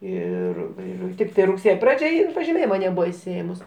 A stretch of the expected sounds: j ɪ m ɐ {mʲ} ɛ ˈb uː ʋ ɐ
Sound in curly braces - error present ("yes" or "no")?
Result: yes